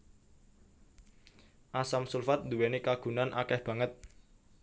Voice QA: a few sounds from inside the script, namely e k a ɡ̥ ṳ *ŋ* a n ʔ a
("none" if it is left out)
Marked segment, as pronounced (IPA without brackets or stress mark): n